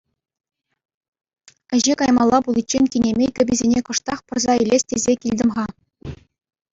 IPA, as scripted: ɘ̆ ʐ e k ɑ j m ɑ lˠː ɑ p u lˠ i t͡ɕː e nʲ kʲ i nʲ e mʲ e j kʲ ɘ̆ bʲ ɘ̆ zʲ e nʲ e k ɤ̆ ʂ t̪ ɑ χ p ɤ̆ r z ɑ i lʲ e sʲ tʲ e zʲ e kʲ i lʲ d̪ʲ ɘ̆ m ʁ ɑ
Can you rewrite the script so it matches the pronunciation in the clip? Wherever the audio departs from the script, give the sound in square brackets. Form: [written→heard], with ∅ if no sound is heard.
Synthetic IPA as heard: ɘ̆ [ʐ→ʑ] e k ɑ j m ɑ lˠː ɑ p u lˠ i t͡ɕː e nʲ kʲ i nʲ e mʲ e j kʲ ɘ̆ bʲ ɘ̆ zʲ e nʲ e k ɤ̆ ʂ t̪ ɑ χ p ɤ̆ r z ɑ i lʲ e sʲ tʲ e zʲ e kʲ i lʲ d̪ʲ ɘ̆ m ʁ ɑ